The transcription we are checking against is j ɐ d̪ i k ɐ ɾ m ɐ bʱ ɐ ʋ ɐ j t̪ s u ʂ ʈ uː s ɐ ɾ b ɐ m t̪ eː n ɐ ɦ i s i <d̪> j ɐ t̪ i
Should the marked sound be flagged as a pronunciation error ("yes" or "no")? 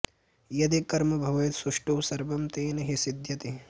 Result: no